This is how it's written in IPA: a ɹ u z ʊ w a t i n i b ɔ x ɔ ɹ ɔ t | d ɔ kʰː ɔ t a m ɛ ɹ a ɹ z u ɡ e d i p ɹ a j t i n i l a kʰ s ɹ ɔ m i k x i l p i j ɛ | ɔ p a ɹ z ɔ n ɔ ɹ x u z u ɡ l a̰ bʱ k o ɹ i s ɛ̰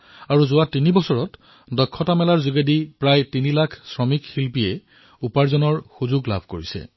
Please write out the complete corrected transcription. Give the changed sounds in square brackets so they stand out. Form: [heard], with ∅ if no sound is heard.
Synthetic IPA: a ɹ u z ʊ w a t i n i b ɔ [s] ɔ ɹ ɔ t | d ɔ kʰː ɔ t a m ɛ [l] a ɹ z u ɡ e d i p ɹ a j t i n i l a kʰ s ɹ ɔ m i k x i l p i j ɛ | [u] p a ɹ z ɔ n ɔ ɹ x u z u ɡ l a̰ bʱ k o ɹ i s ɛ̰